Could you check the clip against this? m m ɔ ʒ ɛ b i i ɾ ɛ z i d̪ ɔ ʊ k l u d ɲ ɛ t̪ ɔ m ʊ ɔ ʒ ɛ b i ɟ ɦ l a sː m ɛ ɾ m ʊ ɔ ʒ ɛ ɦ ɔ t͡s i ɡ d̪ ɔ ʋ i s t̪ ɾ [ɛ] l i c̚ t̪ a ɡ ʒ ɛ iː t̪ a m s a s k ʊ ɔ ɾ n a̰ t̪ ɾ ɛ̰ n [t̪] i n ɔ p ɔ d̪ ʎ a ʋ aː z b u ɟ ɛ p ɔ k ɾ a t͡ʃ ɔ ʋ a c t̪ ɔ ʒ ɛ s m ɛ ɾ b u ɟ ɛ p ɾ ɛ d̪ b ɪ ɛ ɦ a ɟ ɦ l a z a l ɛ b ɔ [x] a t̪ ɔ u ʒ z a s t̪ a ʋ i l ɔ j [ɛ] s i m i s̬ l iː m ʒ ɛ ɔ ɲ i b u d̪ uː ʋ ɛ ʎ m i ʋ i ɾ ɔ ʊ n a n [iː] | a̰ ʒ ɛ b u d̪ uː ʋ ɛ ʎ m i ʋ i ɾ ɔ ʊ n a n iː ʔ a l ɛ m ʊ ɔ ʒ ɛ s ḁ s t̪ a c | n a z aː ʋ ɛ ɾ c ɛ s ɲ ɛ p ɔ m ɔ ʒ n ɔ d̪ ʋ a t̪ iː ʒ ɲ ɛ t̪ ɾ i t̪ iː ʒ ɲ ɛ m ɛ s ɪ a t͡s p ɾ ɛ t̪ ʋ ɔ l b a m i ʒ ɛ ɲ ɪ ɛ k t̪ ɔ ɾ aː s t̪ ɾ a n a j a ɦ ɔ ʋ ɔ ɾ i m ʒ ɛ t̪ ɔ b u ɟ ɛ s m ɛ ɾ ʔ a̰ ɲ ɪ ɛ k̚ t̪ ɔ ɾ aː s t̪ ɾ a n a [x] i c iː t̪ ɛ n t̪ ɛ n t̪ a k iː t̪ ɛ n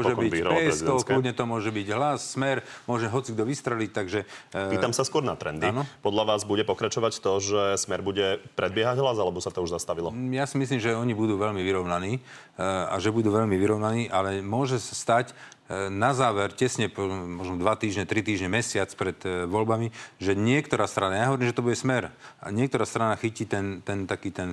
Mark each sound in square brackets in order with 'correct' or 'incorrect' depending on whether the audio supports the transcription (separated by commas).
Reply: correct, incorrect, incorrect, incorrect, correct, correct